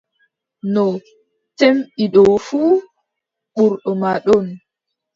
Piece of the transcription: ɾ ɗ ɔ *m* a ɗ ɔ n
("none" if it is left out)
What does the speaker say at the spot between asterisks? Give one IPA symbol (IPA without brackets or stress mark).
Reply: m